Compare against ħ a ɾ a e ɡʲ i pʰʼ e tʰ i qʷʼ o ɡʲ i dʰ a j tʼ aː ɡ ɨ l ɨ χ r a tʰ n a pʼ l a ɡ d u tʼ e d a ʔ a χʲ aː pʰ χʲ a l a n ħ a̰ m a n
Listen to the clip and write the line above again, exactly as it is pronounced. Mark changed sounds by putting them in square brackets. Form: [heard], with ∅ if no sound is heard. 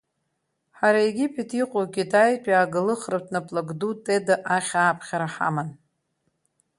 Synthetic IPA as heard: ħ a ɾ a e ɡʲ i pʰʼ e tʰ i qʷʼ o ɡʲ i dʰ a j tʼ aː ɡ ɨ l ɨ χ r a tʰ n a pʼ l a ɡ d u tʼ e d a ʔ a χʲ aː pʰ χʲ a [ɾ] a [∅] ħ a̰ m a n